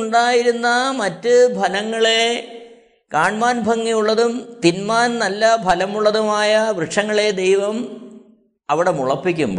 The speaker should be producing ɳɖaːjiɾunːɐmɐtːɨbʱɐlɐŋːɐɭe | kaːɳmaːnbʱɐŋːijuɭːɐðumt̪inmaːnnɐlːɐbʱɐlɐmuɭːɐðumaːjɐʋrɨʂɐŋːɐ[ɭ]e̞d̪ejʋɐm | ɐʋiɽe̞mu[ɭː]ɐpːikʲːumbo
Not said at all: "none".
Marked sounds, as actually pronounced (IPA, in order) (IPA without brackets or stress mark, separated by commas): ɭ, ɭ